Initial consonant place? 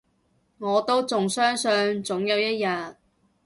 velar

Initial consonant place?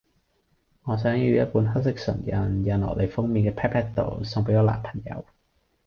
velar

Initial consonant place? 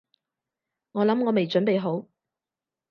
velar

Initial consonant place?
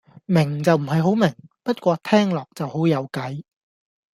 labial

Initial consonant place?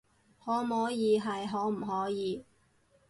glottal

